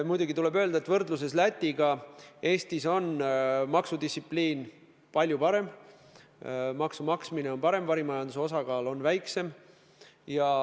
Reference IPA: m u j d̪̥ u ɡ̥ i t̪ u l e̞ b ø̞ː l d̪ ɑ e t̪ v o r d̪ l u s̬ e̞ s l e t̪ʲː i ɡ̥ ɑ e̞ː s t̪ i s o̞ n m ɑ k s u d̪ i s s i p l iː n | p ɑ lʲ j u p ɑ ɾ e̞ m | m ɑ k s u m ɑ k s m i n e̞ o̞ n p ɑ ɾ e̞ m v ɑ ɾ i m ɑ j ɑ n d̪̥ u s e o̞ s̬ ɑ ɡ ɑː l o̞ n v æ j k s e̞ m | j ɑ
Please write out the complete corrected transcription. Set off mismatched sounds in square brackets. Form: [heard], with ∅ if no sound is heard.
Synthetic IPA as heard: m u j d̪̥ u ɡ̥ i t̪ u l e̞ b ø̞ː l d̪ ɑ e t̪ v [ɤ] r d̪ l u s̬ e̞ s l [æ] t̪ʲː i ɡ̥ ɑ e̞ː s t̪ i s o̞ n m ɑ k s u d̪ i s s i p l iː n | p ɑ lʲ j u p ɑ ɾ e̞ m | m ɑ k s u m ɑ k s m i n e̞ o̞ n p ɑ ɾ e̞ m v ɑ ɾ i m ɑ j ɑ n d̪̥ u s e o̞ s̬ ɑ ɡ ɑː l o̞ n v æ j k s e̞ m | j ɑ